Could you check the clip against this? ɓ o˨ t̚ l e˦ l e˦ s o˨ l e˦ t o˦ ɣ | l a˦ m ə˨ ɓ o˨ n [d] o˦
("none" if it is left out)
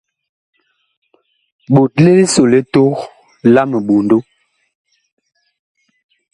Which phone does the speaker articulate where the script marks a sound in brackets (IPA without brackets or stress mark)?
d